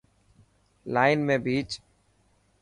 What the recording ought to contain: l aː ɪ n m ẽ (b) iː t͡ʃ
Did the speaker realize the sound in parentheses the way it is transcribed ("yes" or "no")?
yes